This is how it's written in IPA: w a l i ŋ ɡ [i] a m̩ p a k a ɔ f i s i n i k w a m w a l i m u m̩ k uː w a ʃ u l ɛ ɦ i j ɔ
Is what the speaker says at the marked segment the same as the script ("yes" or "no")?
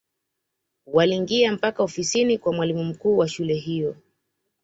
yes